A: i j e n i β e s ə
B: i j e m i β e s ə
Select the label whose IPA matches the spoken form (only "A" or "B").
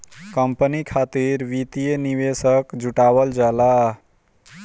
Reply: A